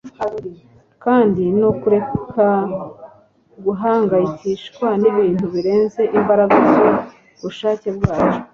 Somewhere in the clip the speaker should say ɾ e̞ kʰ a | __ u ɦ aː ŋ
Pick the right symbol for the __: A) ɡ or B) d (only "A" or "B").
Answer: A